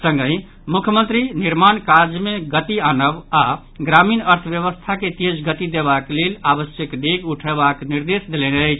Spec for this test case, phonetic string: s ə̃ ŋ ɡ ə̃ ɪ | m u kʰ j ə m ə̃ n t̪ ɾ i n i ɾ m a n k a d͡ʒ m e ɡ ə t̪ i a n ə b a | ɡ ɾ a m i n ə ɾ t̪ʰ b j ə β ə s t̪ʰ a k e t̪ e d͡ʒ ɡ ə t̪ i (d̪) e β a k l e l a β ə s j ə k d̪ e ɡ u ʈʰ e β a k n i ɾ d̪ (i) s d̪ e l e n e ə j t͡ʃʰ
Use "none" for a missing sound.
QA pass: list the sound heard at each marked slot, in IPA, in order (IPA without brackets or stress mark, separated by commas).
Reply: d̪, e